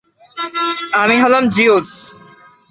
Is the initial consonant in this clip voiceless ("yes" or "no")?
no